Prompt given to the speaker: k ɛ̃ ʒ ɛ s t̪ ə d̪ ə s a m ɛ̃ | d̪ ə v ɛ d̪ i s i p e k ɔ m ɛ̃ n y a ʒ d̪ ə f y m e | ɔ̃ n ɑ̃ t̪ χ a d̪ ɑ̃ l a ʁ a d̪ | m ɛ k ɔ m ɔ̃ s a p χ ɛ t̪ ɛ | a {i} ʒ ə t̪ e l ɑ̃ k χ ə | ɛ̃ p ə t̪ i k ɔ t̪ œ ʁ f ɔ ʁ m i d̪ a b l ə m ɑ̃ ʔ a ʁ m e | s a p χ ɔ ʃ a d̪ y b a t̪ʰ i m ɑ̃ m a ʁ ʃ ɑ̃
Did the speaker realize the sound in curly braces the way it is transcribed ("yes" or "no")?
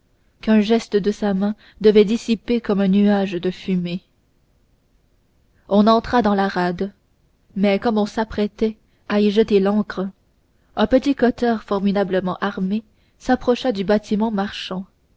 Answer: yes